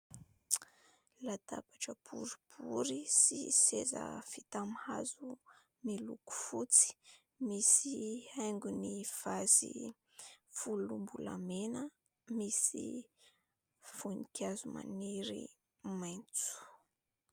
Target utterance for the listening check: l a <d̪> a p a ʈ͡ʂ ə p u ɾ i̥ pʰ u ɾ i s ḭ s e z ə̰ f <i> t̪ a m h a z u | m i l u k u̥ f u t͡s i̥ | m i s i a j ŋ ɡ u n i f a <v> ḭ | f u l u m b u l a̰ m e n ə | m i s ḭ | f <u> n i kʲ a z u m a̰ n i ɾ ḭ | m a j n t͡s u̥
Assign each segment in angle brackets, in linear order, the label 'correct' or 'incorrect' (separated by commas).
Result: incorrect, correct, incorrect, correct